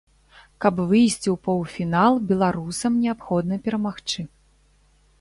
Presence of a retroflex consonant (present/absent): present